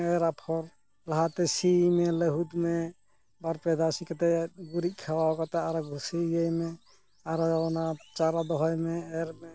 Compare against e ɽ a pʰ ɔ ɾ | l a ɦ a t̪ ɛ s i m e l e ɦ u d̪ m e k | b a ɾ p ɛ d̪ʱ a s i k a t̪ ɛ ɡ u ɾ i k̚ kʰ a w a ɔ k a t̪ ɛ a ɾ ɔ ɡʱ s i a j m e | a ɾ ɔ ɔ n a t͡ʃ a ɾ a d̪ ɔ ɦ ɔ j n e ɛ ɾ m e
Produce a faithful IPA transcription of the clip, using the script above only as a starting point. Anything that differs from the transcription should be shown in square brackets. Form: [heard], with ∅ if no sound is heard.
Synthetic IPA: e [ɾ] a pʰ ɔ ɾ | l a ɦ a t̪ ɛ s i m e l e ɦ u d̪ m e [∅] | b a ɾ p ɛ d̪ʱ a s i k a t̪ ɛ ɡ u ɾ i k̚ kʰ a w a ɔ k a t̪ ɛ a ɾ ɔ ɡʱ s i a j m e | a ɾ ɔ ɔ n a t͡ʃ a ɾ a d̪ ɔ ɦ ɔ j [m] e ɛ ɾ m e